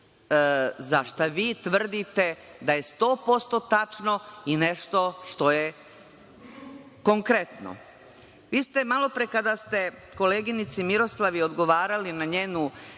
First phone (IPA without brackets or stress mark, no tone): z